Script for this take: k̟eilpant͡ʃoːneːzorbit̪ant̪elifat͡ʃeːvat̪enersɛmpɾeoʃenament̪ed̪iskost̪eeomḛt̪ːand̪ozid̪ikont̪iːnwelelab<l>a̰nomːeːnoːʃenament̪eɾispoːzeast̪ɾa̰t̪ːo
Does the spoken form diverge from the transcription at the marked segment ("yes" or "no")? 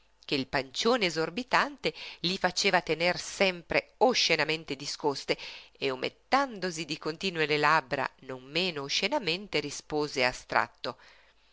yes